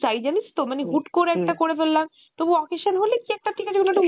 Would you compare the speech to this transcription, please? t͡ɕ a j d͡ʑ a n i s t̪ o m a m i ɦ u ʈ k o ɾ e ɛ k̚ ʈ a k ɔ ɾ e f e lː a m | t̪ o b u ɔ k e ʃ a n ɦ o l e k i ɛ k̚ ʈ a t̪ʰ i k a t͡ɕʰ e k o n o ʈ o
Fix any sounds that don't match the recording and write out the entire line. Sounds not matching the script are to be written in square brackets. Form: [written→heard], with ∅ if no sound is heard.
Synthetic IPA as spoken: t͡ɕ a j d͡ʑ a n i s t̪ o m a [m→n] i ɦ u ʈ k o ɾ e ɛ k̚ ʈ a k [ɔ→o] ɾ e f e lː a m | t̪ o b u ɔ k e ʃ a n ɦ o l e k i ɛ k̚ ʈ a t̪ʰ i k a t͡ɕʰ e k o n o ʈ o